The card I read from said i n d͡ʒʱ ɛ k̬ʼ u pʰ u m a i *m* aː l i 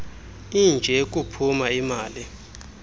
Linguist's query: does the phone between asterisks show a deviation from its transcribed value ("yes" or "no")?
no